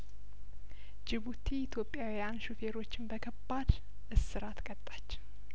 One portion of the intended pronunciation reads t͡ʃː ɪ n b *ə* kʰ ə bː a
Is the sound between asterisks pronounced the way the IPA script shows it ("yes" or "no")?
yes